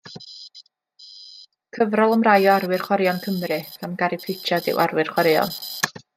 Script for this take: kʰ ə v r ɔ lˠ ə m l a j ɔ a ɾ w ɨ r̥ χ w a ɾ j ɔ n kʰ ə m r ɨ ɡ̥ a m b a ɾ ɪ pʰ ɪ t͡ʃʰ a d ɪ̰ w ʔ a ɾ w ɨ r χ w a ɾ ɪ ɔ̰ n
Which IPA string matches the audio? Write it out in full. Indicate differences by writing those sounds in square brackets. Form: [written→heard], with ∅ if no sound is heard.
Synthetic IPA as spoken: kʰ ə v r ɔ lˠ ə m [l→r] a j ɔ a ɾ w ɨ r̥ χ w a ɾ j ɔ n kʰ ə m r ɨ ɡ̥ a m [b→ɡ] a ɾ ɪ pʰ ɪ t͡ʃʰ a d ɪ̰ w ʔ a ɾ w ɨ r χ w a ɾ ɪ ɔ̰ n